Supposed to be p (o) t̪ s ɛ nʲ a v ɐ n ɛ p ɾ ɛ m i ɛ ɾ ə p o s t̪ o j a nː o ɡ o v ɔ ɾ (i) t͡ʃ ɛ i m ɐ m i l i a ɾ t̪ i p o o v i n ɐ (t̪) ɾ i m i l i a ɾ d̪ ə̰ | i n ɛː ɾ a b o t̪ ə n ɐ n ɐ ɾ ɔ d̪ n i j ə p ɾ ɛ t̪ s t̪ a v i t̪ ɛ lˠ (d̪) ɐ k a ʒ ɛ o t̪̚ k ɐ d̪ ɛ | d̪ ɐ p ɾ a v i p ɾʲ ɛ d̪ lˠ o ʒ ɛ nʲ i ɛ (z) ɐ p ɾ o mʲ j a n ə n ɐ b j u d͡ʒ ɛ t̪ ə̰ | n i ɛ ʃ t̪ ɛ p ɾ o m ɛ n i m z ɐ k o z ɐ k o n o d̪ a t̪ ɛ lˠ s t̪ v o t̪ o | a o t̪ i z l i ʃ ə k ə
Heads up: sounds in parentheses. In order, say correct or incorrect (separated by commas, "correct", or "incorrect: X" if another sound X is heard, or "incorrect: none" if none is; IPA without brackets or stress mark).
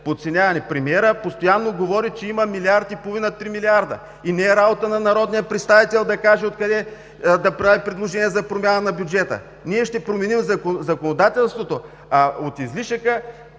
correct, correct, correct, correct, correct